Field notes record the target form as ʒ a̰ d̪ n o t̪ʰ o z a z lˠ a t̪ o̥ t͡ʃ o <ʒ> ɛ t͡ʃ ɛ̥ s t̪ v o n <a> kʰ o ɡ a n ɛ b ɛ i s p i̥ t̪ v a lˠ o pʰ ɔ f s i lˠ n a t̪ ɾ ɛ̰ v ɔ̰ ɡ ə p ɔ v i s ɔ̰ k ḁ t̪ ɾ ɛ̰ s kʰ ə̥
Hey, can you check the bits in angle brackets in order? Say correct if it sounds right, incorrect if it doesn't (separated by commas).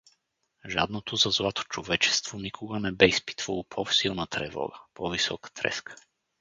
incorrect, incorrect